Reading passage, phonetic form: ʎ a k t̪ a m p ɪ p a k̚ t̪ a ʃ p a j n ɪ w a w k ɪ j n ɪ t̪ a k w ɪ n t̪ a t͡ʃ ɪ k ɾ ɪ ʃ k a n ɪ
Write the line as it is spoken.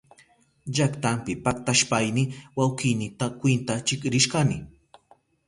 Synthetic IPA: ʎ a k t̪ a m p ɪ p a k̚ t̪ a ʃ p a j n ɪ w a w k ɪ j n ɪ t̪ a k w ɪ n t̪ a t͡ʃ ɪ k ɾ ɪ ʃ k a n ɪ